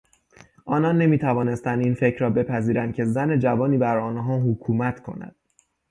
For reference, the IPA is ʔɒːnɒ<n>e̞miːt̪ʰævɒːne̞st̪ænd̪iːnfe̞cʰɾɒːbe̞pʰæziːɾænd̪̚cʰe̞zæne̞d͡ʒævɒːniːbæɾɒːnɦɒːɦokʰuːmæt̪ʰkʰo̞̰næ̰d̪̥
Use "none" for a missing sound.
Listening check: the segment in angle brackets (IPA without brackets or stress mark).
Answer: nː